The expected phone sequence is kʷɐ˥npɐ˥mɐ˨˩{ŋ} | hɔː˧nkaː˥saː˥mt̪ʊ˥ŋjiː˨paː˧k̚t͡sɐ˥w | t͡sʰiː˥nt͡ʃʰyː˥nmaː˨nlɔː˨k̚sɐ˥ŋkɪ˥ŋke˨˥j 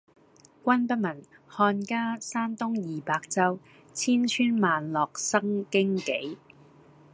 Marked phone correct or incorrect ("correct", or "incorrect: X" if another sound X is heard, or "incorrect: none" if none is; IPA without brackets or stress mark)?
incorrect: n